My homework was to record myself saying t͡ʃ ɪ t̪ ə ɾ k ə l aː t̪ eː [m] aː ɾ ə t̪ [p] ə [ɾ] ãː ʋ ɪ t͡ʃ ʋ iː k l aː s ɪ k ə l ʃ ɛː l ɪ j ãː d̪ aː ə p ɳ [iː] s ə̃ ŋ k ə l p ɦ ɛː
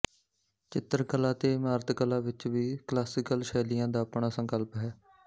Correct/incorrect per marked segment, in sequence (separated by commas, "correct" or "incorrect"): correct, incorrect, incorrect, incorrect